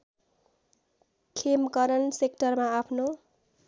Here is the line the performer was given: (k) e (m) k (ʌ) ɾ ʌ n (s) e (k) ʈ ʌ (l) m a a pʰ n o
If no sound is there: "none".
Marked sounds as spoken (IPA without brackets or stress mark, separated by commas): kʰ, m, ʌ, s, k, r